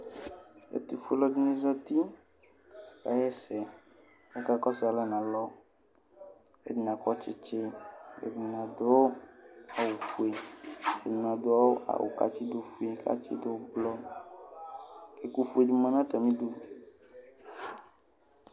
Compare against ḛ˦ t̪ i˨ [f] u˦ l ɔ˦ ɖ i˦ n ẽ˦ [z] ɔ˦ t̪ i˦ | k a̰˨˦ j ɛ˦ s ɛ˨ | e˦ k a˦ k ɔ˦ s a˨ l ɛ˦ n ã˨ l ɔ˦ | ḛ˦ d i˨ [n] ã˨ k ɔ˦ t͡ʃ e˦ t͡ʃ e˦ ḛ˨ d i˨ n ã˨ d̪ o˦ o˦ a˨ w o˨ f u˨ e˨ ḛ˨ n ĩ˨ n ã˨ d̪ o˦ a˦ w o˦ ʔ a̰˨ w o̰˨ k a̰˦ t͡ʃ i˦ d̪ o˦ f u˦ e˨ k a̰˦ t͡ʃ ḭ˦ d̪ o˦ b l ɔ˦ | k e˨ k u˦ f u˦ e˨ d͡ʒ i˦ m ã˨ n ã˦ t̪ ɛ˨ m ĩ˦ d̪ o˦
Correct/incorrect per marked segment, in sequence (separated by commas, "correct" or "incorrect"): correct, correct, correct